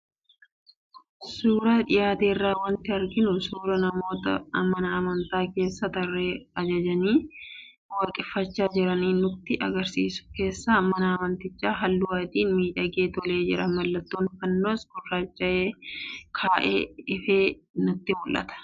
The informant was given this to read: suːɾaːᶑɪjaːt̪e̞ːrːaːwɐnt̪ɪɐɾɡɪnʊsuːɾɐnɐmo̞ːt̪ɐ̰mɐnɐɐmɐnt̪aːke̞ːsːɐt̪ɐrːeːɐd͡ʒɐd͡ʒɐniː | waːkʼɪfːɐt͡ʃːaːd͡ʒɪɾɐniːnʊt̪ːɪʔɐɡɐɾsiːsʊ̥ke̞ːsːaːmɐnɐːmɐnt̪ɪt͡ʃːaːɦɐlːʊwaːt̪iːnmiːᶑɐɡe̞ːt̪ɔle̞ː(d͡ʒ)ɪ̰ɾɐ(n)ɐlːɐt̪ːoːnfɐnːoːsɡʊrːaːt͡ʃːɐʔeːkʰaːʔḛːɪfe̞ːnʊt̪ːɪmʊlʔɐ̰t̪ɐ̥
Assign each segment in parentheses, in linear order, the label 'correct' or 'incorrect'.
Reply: correct, incorrect

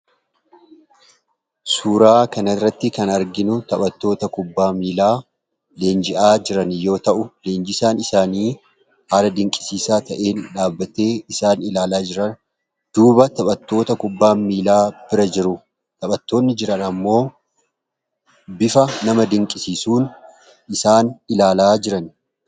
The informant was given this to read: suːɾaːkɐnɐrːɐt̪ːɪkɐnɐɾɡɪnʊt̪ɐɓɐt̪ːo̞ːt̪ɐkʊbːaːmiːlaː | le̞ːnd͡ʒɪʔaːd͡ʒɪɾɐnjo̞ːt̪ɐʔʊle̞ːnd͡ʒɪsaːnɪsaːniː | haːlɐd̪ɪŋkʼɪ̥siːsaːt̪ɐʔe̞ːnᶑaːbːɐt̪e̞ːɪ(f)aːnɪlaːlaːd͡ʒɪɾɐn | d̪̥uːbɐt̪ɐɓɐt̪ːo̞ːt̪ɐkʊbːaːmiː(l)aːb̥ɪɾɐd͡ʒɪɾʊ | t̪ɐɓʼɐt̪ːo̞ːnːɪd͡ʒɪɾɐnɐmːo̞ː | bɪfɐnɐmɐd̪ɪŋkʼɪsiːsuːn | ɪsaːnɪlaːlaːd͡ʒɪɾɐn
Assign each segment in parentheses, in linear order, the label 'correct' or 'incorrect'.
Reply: incorrect, correct

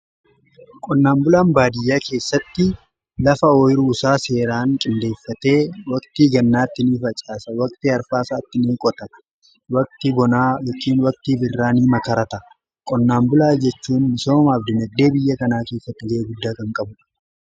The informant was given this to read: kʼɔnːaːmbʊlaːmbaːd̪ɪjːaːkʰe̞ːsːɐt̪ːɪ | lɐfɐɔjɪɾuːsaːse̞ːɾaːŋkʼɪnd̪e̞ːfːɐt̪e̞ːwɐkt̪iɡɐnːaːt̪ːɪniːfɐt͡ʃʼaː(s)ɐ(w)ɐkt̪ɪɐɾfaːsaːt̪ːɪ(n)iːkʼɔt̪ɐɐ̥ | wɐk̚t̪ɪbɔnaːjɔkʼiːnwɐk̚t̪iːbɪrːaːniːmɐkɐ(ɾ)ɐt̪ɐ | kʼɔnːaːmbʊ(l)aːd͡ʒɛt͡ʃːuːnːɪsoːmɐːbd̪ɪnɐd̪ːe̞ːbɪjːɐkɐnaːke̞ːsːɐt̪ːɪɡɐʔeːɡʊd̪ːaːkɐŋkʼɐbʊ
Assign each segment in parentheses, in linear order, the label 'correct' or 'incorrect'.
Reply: correct, correct, correct, correct, correct

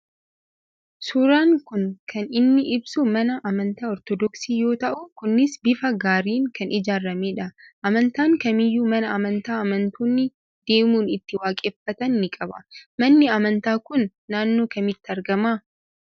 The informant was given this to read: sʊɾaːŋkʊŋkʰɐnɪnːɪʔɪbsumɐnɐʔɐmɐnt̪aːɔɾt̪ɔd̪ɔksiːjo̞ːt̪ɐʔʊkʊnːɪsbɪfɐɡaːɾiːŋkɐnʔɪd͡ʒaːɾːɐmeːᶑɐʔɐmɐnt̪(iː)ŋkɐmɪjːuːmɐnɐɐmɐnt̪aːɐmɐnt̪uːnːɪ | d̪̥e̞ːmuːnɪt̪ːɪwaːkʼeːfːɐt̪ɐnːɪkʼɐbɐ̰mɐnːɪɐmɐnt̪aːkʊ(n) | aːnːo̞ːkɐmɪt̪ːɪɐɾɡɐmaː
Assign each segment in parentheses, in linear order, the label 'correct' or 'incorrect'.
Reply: incorrect, incorrect

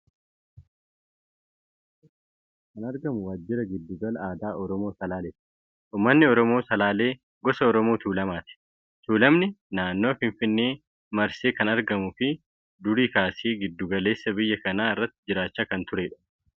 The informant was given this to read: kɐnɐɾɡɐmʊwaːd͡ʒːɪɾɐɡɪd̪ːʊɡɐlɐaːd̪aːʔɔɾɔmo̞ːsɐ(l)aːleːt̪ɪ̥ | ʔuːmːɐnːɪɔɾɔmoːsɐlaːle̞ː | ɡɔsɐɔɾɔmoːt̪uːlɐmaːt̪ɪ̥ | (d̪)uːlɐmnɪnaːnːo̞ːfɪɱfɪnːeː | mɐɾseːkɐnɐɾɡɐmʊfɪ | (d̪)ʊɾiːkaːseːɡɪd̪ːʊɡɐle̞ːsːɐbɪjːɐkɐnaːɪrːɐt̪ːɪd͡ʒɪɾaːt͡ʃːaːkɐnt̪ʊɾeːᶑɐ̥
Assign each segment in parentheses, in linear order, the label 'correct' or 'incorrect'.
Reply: correct, incorrect, correct

